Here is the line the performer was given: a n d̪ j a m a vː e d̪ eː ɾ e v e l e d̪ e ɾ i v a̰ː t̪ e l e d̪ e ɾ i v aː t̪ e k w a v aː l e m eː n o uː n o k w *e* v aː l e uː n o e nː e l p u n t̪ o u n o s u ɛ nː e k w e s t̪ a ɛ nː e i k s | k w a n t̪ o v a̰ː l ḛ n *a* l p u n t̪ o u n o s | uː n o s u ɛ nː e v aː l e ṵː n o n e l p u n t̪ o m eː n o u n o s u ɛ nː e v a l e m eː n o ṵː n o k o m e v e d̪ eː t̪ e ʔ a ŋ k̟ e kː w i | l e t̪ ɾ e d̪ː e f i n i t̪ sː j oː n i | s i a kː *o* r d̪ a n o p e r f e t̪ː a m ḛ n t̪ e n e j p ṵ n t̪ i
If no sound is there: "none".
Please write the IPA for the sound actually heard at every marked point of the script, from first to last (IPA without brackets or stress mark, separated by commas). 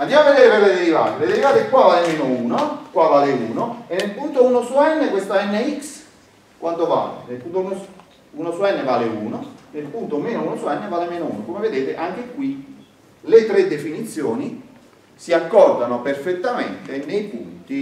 a, e, ɔ